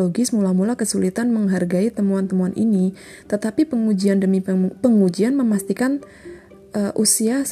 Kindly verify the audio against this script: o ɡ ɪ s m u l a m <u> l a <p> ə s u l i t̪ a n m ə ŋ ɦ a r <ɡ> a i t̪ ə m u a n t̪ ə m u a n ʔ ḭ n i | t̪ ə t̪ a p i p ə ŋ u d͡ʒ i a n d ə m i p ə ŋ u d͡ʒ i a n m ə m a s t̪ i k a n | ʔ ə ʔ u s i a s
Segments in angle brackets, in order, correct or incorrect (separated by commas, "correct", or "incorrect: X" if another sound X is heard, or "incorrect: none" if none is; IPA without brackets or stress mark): correct, incorrect: k, correct